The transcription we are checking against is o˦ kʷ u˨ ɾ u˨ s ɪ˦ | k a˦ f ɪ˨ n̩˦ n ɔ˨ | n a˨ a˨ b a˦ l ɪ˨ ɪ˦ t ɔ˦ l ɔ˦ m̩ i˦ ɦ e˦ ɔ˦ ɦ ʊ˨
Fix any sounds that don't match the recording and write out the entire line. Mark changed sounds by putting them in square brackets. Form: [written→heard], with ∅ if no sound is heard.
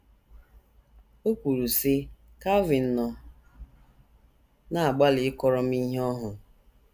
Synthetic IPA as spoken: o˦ kʷ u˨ ɾ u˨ s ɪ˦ | k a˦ [f→v] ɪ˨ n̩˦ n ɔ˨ | n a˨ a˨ [b→ɡ͡b] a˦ l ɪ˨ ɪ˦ [t→k] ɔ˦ [l→ɾ] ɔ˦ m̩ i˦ ɦ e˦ ɔ˦ ɦ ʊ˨